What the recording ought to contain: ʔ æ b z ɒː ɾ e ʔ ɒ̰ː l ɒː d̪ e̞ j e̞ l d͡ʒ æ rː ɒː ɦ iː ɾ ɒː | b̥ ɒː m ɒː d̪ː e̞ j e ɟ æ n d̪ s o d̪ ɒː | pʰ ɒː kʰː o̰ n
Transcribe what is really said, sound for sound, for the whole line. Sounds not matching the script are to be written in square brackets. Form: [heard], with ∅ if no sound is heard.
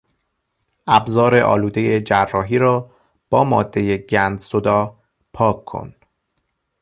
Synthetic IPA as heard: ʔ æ b z ɒː ɾ e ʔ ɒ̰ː l [uː] d̪ e̞ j e̞ [∅] d͡ʒ æ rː ɒː ɦ iː ɾ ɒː | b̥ ɒː m ɒː d̪ː e̞ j e ɟ æ n d̪ s o d̪ ɒː | pʰ ɒː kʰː o̰ n